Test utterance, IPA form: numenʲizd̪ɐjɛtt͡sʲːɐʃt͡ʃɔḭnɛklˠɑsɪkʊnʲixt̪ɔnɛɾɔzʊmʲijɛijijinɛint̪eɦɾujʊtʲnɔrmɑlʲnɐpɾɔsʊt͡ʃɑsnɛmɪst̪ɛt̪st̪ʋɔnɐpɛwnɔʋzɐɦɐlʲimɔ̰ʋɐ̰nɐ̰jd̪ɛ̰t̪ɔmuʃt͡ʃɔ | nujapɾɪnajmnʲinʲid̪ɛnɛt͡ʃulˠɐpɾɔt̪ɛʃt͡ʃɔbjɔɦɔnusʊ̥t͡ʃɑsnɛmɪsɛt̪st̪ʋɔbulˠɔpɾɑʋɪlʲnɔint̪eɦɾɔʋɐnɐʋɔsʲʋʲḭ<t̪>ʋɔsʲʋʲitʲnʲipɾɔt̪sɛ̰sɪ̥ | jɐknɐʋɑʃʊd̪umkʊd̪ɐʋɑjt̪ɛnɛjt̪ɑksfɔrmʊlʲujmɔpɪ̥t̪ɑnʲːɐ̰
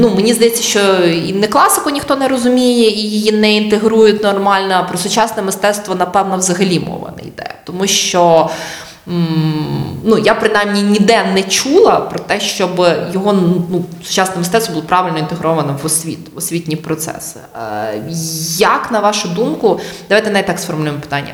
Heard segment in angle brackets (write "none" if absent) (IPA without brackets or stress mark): t̪